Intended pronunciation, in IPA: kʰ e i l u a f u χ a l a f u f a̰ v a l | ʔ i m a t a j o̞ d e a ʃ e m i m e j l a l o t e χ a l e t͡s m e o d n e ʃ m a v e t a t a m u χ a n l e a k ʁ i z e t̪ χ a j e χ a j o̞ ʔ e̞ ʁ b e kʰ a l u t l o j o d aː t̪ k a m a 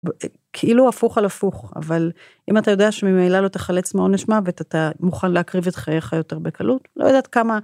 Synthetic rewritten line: kʰ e i l u a f u χ a l a f u χ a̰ v a l | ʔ i m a t a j o̞ d e a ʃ e m i m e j l a l o t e χ a l e t͡s m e o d n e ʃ m a v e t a t a m u χ a n l e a k ʁ i v e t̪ χ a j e χ a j o̞ t e̞ ʁ b e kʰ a l u t l o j o d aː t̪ k a m a